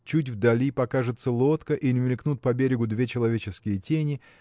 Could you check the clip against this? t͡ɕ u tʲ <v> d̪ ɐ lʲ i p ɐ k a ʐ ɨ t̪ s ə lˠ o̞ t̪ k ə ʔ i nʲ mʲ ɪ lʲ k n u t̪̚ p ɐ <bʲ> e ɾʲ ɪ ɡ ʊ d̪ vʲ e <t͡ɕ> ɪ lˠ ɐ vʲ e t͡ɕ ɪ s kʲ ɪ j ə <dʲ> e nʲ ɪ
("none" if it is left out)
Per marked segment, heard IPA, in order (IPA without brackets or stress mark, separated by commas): v, bʲ, t͡ɕ, tʲ